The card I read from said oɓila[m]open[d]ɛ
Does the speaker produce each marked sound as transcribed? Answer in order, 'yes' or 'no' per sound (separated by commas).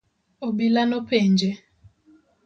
no, no